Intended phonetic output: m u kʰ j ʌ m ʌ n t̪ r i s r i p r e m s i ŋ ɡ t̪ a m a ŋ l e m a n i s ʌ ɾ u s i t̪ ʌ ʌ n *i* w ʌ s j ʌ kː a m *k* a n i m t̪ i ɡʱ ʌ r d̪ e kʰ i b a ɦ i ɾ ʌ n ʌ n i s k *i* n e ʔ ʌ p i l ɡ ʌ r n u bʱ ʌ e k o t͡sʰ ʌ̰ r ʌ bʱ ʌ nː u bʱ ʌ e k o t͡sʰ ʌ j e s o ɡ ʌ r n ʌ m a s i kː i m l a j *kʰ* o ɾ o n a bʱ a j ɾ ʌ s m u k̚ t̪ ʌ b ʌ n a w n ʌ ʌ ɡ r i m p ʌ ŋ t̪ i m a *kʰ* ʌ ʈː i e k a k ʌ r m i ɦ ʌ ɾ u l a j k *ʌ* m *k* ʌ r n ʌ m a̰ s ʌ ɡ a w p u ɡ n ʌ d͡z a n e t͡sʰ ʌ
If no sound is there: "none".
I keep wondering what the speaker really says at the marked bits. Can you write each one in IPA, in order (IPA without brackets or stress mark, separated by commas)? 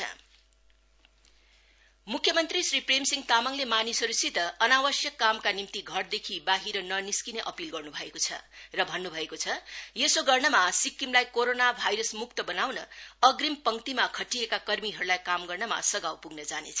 a, k, i, k, kʰ, a, ɡ